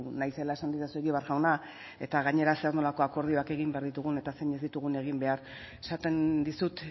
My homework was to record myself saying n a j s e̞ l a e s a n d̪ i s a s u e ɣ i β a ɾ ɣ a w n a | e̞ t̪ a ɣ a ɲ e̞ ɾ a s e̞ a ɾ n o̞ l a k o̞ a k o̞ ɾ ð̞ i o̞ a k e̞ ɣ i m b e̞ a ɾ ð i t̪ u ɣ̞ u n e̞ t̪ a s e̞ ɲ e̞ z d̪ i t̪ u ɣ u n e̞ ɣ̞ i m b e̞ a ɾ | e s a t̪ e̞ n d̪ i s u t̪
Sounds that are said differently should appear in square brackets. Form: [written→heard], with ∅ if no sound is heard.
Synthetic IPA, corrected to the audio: n a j s e̞ l a e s a n d̪ i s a s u e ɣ i β a ɾ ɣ a w n a | e̞ t̪ a ɣ a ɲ e̞ ɾ a s e̞ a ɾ n o̞ l a k o̞ a k o̞ ɾ ð̞ i o̞ a k e̞ ɣ i m b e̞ a ɾ ð i t̪ u ɣ̞ u n e̞ t̪ a s e̞ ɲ e̞ z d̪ i t̪ u ɣ u n e̞ ɣ̞ i m b e̞ a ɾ | e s a t̪ e̞ n d̪ i s u t̪

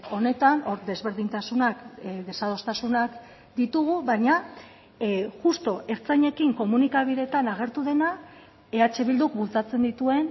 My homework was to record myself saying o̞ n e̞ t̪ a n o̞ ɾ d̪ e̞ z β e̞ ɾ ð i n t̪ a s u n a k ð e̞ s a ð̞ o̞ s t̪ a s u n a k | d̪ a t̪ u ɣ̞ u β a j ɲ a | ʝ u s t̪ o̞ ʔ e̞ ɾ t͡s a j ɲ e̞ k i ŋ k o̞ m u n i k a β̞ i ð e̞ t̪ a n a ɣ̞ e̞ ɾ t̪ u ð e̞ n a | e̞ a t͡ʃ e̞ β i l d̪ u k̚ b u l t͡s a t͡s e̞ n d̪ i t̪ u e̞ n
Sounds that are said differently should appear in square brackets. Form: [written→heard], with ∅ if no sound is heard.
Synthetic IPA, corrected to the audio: o̞ n e̞ t̪ a n o̞ ɾ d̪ e̞ z β e̞ ɾ ð i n t̪ a s u n a k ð e̞ s a ð̞ o̞ s t̪ a s u n a k | d̪ [a→i] t̪ u ɣ̞ u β a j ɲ a | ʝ u s t̪ o̞ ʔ e̞ ɾ t͡s a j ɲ e̞ k i ŋ k o̞ m u n i k a β̞ i ð e̞ t̪ a n a ɣ̞ e̞ ɾ t̪ u ð e̞ n a | e̞ a t͡ʃ e̞ β i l d̪ u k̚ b u l t͡s a t͡s e̞ n d̪ i t̪ u e̞ n

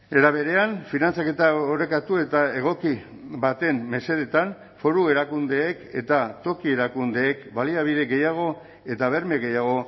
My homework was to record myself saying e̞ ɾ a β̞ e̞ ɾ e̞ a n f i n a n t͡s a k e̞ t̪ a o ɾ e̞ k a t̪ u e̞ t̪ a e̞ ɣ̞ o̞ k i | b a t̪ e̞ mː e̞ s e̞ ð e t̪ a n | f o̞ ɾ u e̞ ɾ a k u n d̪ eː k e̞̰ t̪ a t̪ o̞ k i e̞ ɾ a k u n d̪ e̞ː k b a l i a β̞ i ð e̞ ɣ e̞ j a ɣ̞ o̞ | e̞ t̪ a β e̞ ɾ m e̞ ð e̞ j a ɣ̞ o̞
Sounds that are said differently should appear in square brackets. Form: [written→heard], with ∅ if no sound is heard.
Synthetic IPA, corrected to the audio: e̞ ɾ a β̞ e̞ ɾ e̞ a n f i n a n t͡s a k e̞ t̪ a o ɾ e̞ k a t̪ u e̞ t̪ a e̞ ɣ̞ o̞ k i | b a t̪ e̞ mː e̞ s e̞ ð e t̪ a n | f o̞ ɾ u e̞ ɾ a k u n d̪ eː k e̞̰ t̪ a t̪ o̞ k i e̞ ɾ a k u n d̪ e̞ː k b a l i a β̞ i ð e̞ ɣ e̞ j a ɣ̞ o̞ | e̞ t̪ a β e̞ ɾ m e̞ [ð→ɣ] e̞ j a ɣ̞ o̞

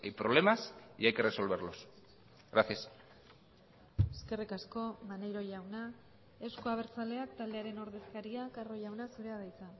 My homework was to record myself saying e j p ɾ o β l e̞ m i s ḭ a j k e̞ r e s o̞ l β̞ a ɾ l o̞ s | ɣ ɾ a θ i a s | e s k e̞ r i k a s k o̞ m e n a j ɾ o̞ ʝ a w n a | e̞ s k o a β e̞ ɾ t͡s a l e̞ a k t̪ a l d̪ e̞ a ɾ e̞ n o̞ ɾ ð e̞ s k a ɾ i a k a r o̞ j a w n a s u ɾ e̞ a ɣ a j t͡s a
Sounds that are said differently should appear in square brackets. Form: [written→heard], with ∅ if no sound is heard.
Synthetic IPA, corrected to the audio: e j p ɾ o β l e̞ m [i→a] s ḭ a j k e̞ r e s o̞ l β̞ [a→e] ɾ l o̞ s | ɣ ɾ a θ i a s | e s k e̞ r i k a s k o̞ m [e→a] n [a→e] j ɾ o̞ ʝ a w n a | e̞ s k o a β e̞ ɾ t͡s a l e̞ a k t̪ a l d̪ e̞ a ɾ e̞ n o̞ ɾ ð e̞ s k a ɾ i a k a r o̞ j a w n a s u ɾ e̞ a [ɣ→ð] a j t͡s a

